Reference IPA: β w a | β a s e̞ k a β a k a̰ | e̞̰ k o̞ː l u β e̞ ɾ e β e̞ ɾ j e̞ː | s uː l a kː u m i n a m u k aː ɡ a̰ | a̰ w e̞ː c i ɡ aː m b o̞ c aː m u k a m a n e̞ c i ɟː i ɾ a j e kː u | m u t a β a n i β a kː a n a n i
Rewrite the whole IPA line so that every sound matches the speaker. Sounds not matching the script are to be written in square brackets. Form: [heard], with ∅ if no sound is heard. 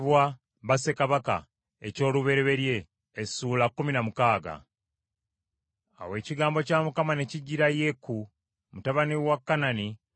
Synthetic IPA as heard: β w a | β a s e̞ k a β a k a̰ | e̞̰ [c] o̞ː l u β e̞ ɾ e β e̞ ɾ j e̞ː | s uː l a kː u m i n a m u k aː ɡ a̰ | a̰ w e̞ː c i ɡ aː m b o̞ c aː m u k a m a n e̞ c i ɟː i ɾ a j e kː u | m u t a β a n i [w] a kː a n a n i

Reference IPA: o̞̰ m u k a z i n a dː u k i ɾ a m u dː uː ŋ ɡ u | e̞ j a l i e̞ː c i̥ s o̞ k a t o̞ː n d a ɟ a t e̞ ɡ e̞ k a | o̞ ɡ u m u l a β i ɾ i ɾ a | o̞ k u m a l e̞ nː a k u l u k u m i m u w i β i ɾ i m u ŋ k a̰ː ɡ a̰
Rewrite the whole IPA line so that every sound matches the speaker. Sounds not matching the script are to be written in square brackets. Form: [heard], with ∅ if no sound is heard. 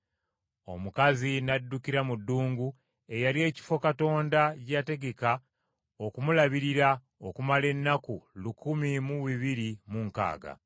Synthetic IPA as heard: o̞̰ m u k a z i n a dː u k i ɾ a m u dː uː ŋ ɡ u | e̞ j a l i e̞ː c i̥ [f] o̞ k a t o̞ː n d a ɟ a t e̞ ɡ e̞ k a | o̞ [k] u m u l a β i ɾ i ɾ a | o̞ k u m a l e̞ nː a k u l u k u m i m u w i β i ɾ i m u ŋ k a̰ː ɡ a̰

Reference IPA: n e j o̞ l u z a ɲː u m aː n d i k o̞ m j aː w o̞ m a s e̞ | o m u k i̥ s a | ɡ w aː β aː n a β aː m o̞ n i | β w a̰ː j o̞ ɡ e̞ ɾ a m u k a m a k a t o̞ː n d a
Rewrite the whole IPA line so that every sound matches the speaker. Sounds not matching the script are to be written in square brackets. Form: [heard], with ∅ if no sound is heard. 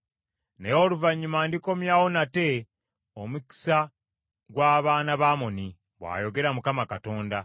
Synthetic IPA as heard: n e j o̞ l u [v] a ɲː u m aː n d i k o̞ m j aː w o̞ [n] a [t] e̞ | o m u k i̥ s a | ɡ w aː β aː n a β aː m o̞ n i | β w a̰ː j o̞ ɡ e̞ ɾ a m u k a m a k a t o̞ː n d a

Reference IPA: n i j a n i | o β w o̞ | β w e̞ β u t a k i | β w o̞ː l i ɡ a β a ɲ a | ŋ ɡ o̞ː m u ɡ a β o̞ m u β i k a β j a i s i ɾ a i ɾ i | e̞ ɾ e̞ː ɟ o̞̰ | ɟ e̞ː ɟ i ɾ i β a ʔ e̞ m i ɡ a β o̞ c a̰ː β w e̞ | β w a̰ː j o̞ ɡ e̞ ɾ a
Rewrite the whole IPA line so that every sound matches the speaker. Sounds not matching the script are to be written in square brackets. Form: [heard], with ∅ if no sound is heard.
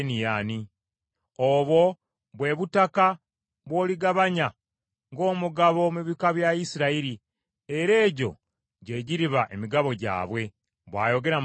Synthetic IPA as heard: n i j a n i | o β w o̞ | β w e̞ β u t a k [a] | β w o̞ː l i ɡ a β a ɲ a | ŋ ɡ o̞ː m u ɡ a β o̞ m u β i k a β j a i s i ɾ a i ɾ i | e̞ ɾ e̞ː ɟ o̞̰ | ɟ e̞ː ɟ i ɾ i β a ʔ e̞ m i ɡ a β o̞ [ɟ] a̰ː β w e̞ | β w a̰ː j o̞ ɡ e̞ ɾ a

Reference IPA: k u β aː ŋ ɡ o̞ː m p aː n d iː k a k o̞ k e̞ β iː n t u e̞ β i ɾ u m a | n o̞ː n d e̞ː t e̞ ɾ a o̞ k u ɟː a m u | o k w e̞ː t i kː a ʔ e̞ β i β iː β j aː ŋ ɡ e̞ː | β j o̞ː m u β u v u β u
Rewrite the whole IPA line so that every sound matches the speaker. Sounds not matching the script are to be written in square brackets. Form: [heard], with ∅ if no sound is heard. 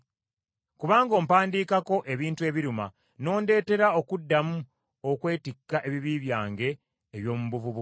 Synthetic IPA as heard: k u β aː ŋ ɡ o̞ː m p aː n d iː k a k o̞ [ʔ] e̞ β iː n t u e̞ β i ɾ u m a | n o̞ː n d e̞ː t e̞ ɾ a o̞ k u [dː] a m u | o k w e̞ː t i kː a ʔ e̞ β i β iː β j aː ŋ ɡ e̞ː | β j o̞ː m u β u v u β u

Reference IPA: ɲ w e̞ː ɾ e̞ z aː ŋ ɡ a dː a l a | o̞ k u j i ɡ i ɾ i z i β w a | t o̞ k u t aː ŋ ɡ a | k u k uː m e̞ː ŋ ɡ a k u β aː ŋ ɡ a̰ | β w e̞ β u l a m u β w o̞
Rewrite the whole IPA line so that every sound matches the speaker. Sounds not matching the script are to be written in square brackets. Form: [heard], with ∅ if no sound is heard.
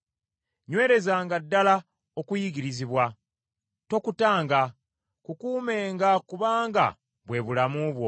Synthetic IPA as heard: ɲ w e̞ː ɾ e̞ z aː ŋ ɡ a dː a l a | o̞ k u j i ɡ i ɾ i z i β w a | t o̞ k u t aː ŋ ɡ a | k u k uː m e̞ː ŋ ɡ a k u β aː ŋ ɡ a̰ | β w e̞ β u l a m u β w o̞

